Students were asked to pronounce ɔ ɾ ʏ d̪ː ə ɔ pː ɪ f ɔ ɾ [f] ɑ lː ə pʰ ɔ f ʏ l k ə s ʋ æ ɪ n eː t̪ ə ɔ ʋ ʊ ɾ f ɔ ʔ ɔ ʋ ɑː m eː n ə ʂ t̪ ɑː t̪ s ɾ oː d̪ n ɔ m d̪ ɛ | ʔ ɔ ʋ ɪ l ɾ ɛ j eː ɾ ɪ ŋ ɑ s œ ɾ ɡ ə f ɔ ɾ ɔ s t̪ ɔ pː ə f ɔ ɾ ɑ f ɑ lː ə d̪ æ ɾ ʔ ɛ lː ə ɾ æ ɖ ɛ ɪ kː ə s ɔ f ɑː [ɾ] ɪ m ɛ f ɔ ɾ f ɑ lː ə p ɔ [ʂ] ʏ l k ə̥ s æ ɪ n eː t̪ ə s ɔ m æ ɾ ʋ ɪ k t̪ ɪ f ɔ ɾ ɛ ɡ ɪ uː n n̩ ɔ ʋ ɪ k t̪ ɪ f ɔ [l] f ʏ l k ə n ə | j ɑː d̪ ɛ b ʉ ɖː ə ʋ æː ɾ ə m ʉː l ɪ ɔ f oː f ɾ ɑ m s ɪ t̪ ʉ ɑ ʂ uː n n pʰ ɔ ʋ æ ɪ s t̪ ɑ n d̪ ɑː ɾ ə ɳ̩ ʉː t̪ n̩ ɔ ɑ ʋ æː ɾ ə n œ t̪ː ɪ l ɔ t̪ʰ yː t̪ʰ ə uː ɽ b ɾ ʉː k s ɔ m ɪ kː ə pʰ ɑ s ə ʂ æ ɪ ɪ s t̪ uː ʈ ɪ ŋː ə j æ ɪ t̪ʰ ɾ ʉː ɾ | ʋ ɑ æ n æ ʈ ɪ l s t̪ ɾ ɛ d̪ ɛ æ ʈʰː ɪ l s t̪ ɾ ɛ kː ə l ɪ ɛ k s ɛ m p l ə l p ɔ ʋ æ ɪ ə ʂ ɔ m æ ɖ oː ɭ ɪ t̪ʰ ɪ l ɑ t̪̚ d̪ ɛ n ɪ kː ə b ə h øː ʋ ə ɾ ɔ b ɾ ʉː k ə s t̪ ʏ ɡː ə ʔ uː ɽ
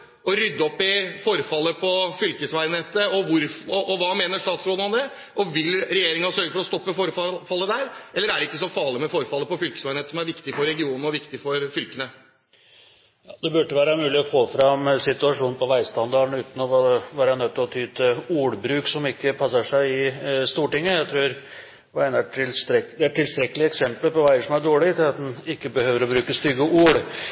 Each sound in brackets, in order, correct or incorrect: correct, incorrect: ɭ, incorrect: f, incorrect: ɾ

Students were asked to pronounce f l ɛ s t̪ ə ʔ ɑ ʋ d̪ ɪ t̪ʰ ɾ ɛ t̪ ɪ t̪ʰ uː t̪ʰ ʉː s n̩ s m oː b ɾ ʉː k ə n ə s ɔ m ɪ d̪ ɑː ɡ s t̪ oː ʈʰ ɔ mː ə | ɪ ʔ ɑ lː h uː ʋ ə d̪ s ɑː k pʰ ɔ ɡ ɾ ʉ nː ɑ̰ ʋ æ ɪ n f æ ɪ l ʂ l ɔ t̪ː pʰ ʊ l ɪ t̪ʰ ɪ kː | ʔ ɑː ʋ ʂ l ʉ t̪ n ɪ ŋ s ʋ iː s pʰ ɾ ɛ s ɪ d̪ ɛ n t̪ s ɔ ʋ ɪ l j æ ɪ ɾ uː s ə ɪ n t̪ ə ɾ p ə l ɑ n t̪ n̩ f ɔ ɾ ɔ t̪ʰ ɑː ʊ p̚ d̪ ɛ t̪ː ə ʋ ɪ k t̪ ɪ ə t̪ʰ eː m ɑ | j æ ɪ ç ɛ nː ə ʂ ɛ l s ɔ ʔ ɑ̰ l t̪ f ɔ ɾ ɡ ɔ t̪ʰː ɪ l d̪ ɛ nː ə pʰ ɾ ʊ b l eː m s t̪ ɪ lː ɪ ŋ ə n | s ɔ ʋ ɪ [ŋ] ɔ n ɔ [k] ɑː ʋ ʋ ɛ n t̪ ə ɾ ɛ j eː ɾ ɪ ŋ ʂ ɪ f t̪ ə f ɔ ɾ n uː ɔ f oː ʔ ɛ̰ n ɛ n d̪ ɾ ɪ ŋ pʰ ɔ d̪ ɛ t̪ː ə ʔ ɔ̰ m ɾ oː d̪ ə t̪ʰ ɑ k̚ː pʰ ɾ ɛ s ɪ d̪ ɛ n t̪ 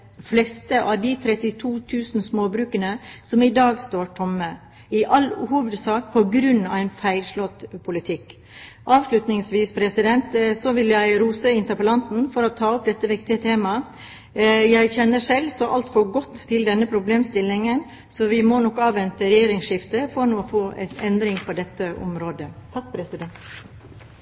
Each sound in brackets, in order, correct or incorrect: incorrect: m, correct

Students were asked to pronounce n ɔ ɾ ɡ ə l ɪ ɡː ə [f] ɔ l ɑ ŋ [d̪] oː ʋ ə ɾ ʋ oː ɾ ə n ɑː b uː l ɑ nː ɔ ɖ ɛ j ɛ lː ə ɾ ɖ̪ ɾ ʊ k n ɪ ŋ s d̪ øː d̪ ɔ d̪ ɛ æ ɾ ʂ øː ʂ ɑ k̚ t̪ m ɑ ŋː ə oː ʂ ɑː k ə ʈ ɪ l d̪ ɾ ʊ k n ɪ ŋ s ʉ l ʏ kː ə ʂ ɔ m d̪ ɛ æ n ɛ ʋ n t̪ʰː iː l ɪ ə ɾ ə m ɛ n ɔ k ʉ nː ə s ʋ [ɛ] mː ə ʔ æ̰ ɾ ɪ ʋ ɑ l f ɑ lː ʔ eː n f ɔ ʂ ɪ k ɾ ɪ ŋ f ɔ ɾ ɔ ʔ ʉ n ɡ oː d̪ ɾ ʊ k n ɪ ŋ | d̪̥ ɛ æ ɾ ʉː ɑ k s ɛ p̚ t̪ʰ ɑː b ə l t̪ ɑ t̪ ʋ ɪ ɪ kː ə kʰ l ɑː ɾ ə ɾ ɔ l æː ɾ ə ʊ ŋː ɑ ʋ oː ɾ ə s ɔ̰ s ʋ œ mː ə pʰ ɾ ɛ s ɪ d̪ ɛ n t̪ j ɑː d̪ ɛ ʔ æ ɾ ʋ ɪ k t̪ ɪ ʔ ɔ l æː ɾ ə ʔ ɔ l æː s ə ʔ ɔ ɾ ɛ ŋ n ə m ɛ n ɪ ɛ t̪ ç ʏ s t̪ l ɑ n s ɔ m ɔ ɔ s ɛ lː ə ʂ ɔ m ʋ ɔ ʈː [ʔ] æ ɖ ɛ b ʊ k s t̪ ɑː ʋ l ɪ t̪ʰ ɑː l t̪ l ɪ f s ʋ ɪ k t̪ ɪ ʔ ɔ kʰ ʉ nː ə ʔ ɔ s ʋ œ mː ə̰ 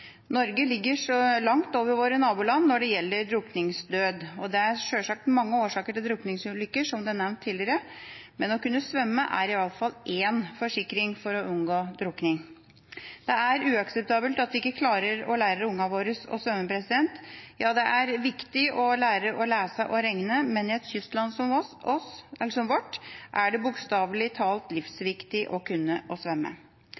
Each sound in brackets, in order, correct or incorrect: incorrect: ʂ, incorrect: t̪, incorrect: œ, correct

